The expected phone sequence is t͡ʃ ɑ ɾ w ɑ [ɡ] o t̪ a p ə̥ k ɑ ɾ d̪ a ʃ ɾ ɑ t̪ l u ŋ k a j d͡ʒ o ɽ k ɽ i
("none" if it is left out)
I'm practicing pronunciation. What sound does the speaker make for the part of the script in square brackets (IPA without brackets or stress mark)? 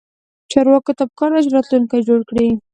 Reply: k